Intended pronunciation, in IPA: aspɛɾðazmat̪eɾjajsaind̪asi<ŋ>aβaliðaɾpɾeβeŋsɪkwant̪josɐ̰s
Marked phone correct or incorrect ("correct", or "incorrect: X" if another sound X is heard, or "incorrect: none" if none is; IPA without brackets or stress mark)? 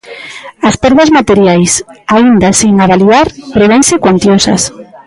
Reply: correct